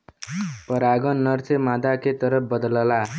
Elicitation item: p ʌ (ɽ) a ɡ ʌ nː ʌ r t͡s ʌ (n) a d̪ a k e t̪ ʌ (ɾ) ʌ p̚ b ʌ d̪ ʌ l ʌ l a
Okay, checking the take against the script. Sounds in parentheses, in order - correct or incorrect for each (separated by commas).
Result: incorrect, incorrect, correct